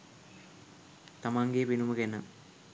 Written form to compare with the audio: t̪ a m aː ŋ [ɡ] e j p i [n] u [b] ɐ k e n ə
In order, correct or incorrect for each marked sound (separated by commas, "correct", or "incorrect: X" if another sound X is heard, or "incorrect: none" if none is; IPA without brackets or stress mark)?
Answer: correct, correct, incorrect: m